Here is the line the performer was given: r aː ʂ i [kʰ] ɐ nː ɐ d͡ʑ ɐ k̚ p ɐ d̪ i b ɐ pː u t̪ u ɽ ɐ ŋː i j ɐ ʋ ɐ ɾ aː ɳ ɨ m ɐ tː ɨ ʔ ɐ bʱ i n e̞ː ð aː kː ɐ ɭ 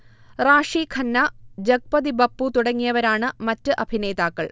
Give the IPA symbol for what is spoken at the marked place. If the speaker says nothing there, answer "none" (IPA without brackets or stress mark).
kʰ